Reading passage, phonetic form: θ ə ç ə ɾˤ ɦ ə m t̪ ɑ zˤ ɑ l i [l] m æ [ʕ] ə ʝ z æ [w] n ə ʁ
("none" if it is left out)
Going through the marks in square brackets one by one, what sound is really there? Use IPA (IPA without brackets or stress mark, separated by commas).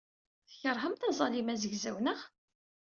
none, z, w